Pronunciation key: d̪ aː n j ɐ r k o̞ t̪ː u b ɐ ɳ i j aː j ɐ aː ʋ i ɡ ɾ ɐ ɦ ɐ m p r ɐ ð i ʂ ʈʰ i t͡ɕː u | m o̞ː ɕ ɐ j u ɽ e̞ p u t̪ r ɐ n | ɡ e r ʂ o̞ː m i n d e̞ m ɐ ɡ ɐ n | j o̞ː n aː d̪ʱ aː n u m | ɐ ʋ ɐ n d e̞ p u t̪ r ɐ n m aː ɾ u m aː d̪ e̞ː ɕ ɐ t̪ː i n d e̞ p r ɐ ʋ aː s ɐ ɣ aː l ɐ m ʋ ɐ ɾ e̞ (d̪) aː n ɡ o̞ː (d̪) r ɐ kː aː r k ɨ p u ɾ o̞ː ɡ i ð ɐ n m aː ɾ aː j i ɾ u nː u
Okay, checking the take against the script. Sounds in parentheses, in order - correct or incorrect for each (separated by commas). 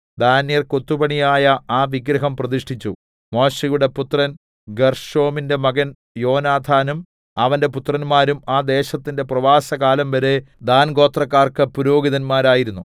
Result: correct, incorrect